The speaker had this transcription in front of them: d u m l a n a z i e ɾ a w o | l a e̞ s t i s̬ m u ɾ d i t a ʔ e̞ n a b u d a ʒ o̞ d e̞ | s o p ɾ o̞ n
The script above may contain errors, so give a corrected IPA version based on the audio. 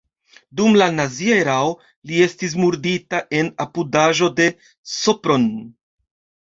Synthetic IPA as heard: d u m l a n a z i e ɾ a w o | l i e̞ s t i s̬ m u ɾ d i t a ʔ e̞ n a p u d a ʒ o̞ d e̞ | s o p ɾ o̞ n